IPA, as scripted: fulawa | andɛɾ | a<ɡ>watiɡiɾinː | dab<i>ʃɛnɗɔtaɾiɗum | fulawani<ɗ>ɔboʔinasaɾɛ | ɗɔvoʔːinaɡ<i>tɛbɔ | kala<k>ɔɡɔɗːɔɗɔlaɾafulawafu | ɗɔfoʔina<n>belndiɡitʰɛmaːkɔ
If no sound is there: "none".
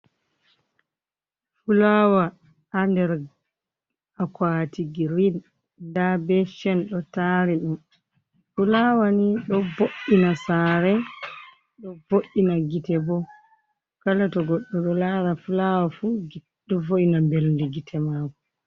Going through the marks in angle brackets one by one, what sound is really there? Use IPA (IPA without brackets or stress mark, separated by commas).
k, ɛ, ɗ, i, t, m